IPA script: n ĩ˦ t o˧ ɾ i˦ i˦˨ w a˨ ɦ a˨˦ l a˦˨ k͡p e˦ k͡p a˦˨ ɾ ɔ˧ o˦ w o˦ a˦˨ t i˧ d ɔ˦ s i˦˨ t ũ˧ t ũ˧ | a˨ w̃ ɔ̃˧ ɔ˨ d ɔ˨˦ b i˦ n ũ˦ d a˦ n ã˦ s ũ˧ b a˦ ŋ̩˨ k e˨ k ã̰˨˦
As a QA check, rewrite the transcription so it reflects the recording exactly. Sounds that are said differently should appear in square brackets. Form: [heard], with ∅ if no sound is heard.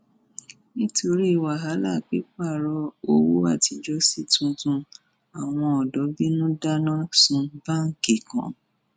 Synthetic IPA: n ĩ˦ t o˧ ɾ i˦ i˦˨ w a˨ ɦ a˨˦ l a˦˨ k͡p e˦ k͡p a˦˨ ɾ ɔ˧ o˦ w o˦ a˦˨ t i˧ [d͡ʒ] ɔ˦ s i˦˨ t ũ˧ t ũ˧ | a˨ w̃ ɔ̃˧ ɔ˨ d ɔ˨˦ b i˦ n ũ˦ d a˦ n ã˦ s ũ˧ b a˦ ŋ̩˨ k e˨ k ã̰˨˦